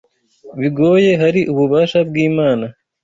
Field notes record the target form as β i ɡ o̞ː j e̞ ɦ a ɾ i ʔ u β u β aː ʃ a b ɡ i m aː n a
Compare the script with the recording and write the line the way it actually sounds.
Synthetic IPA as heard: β i ɡ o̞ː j e̞ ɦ a ɾ i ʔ u β u β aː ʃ a b ɡ iː m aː n a